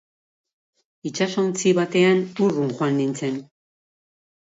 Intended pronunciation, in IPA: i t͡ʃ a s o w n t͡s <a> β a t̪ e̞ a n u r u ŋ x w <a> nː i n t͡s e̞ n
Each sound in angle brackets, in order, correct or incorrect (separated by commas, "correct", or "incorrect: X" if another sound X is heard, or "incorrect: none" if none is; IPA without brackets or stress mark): incorrect: i, correct